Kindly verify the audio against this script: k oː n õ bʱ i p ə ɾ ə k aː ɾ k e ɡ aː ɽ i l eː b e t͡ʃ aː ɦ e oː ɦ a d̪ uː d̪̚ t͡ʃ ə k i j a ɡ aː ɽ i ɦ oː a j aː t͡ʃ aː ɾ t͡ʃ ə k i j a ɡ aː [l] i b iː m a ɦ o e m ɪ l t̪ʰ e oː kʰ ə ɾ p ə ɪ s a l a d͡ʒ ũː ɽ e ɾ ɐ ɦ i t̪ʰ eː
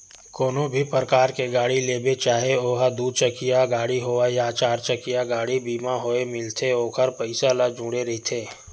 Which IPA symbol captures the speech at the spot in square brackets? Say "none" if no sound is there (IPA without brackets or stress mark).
ɽ